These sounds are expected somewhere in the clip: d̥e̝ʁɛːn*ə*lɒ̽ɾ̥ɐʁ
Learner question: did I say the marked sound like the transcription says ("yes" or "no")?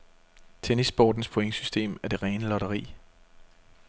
yes